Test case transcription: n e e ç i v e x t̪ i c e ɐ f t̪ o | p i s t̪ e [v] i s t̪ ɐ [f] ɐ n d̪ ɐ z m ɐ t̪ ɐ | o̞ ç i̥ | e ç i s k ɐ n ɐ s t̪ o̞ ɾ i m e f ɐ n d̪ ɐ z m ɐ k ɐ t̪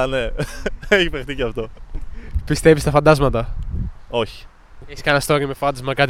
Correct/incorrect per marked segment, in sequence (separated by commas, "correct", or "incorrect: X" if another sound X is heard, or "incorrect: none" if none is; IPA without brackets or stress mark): correct, correct